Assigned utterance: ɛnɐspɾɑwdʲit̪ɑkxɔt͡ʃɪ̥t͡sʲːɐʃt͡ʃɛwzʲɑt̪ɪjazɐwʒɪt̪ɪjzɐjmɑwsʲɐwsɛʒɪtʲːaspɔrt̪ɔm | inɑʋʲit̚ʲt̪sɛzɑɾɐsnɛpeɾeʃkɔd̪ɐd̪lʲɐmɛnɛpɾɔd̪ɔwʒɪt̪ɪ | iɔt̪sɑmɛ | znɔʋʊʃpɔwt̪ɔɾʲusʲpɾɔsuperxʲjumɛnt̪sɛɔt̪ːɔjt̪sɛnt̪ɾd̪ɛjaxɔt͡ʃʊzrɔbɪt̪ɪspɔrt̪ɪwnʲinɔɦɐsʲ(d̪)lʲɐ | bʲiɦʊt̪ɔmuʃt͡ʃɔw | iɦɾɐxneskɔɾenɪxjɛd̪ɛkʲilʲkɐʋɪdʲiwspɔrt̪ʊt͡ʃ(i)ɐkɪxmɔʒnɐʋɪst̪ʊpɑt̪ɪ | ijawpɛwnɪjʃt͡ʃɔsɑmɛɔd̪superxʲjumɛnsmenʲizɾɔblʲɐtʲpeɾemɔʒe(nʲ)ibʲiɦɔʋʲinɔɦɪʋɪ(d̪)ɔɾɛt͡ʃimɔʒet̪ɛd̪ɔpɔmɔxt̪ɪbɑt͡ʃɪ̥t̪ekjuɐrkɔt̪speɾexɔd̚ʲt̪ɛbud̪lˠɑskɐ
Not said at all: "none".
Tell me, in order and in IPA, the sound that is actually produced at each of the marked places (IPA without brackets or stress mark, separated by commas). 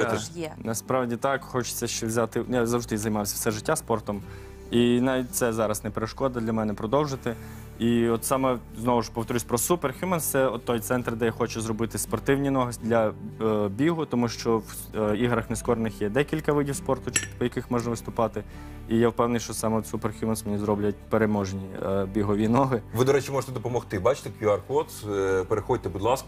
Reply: d̪, j, nʲ, d̪